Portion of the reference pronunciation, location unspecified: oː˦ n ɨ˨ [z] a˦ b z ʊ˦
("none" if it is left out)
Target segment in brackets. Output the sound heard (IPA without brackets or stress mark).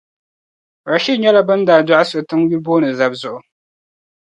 z